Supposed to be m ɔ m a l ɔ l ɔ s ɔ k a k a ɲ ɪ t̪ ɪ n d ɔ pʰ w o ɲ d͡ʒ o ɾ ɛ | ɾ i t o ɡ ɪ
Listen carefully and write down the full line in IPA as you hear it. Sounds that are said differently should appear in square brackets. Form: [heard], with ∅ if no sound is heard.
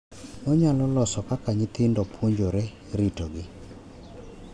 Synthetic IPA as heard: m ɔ [ɲ] a l ɔ l ɔ s ɔ k a k a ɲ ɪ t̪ ɪ n d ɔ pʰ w o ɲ d͡ʒ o ɾ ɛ | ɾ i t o ɡ ɪ